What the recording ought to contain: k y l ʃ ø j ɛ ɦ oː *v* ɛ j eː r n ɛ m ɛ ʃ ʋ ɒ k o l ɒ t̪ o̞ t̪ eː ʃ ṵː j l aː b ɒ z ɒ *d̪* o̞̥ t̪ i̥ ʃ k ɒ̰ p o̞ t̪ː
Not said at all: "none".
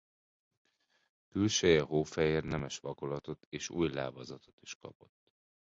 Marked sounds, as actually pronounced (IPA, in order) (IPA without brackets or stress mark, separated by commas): f, t̪